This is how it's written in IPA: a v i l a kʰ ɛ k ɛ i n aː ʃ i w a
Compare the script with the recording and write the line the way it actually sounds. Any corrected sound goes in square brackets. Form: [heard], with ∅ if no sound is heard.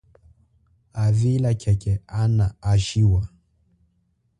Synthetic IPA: a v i l a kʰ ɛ k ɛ [a] n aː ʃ i w a